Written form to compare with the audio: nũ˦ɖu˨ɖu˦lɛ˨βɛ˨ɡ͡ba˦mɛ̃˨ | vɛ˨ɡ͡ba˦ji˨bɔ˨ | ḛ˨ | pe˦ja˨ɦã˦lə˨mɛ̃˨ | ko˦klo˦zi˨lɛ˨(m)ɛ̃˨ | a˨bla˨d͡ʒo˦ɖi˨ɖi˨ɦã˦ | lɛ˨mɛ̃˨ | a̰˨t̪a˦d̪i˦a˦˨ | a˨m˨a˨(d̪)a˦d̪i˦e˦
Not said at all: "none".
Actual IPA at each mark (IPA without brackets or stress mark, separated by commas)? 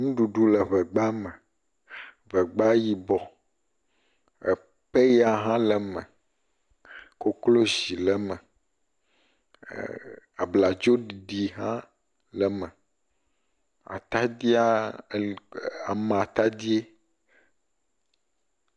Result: m, t̪